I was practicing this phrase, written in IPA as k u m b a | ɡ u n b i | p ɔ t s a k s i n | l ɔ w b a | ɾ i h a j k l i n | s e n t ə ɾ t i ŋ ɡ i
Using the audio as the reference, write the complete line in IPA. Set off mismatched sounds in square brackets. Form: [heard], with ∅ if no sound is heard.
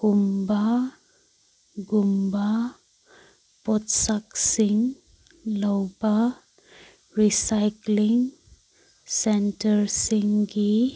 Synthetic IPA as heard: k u m b a | ɡ u [m] b [a] | p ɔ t s a k s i [ŋ] | l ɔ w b a | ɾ i [s] a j k l i [ŋ] | s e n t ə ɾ [s] i ŋ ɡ i